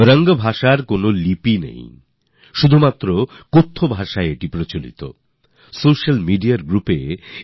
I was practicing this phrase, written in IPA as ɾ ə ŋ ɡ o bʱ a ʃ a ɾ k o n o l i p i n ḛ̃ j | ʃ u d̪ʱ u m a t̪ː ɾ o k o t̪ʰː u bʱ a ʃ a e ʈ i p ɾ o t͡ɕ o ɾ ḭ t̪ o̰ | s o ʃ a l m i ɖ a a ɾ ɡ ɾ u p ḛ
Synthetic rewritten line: ɾ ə ŋ ɡ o bʱ a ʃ a ɾ k o n o l i p i n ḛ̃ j | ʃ u d̪ʱ u m a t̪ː ɾ o k o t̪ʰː o bʱ a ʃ a e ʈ i p ɾ o t͡ɕ o l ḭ t̪ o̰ | s o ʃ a l m i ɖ i a ɾ ɡ ɾ u p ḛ